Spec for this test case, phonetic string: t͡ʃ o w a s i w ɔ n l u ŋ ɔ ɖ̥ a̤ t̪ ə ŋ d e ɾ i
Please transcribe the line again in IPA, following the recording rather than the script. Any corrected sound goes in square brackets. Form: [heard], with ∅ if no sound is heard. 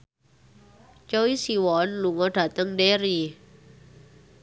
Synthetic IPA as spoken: t͡ʃ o w [i] s i w ɔ n l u ŋ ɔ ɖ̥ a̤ t̪ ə ŋ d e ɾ i